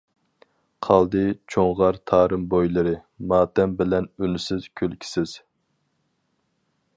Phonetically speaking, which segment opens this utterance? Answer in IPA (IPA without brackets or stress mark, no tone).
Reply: qʰ